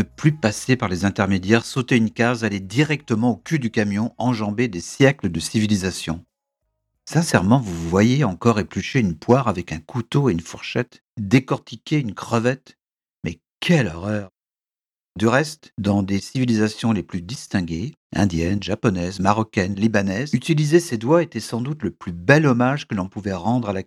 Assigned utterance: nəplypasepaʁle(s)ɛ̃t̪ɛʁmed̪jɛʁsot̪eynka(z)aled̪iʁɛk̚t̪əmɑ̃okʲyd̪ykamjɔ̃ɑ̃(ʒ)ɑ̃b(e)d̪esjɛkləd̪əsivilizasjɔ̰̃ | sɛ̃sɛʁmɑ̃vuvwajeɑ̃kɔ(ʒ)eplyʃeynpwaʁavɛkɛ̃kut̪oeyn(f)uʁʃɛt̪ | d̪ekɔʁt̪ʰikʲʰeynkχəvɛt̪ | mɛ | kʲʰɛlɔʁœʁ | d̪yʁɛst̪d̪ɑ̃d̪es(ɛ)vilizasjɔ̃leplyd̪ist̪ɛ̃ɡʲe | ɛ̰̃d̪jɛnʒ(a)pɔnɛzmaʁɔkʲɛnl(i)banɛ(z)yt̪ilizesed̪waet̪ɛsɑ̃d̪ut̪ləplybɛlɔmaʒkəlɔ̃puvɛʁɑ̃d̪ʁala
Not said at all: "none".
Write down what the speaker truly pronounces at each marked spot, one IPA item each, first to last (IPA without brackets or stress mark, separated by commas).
z, z, ʒ, e, ʁ, f, i, a, i, z